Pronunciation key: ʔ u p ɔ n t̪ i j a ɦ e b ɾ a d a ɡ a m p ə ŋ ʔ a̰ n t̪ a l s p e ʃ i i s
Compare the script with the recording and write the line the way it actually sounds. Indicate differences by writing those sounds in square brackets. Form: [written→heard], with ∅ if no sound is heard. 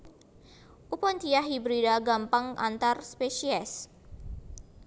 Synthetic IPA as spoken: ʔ u p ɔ n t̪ i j a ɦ [e→i] b ɾ [a→i] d a ɡ a m p [ə→a] ŋ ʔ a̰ n t̪ a [l→r] s p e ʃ i [i→ɛ] s